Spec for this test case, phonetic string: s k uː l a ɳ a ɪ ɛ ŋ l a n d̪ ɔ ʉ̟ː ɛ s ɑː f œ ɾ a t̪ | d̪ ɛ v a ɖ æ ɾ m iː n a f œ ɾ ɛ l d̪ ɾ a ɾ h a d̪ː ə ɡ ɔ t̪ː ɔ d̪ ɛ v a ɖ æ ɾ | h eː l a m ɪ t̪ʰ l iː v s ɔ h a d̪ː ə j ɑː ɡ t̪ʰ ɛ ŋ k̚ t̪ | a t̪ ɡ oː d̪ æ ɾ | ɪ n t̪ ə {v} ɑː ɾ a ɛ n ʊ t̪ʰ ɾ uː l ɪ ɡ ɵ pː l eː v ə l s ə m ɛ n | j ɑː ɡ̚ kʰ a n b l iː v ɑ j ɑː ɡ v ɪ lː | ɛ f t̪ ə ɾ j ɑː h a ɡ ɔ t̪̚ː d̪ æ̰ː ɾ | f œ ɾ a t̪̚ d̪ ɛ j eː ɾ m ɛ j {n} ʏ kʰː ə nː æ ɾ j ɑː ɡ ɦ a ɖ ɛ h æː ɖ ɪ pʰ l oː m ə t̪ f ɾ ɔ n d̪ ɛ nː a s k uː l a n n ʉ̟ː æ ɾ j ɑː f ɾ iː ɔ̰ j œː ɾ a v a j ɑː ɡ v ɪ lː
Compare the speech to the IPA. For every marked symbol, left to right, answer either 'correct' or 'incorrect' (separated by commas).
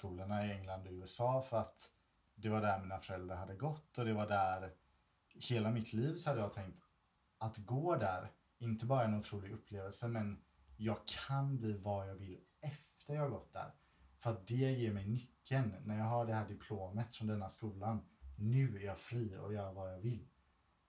incorrect, correct